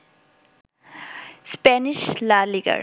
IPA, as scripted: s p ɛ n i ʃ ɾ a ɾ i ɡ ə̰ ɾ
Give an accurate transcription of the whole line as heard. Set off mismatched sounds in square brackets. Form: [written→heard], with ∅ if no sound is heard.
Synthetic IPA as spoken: s p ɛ n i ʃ [ɾ→l] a [ɾ→l] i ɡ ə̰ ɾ